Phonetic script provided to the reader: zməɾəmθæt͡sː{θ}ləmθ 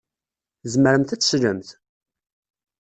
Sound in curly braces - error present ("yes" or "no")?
yes